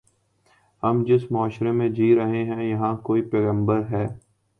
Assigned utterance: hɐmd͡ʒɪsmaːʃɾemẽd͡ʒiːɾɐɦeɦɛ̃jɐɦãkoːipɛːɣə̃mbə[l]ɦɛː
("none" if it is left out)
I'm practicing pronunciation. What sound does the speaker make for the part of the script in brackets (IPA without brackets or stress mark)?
ɾ